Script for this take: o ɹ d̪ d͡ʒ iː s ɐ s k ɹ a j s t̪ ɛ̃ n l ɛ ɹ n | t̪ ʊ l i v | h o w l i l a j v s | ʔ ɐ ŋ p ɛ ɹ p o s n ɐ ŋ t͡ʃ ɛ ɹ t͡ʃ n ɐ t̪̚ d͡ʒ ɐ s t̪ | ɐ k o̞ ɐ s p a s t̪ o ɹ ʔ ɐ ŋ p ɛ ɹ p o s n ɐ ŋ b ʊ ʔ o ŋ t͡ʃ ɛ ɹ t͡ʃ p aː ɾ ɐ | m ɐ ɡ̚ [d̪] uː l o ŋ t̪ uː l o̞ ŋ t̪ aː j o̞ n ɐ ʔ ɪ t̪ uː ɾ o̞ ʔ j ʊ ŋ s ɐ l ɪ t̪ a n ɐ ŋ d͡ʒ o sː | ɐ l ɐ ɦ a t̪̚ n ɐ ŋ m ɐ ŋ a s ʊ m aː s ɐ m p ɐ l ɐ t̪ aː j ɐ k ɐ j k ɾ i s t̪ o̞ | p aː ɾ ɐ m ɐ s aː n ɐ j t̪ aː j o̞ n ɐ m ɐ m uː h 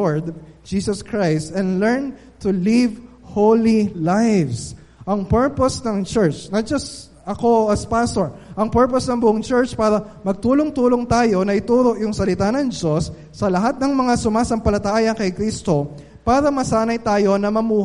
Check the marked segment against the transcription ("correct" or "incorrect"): incorrect